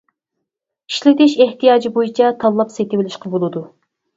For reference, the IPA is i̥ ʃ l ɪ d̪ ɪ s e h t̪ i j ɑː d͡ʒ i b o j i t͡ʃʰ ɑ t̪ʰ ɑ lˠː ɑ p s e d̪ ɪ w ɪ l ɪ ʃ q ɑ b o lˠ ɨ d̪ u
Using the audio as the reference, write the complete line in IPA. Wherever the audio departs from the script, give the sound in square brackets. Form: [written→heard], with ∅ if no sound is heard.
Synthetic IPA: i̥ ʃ l ɪ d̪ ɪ [s→ʃ] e h t̪ i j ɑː d͡ʒ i b o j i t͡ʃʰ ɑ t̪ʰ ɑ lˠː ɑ p s e [d̪→t̪] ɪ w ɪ l ɪ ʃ q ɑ b o lˠ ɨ d̪ u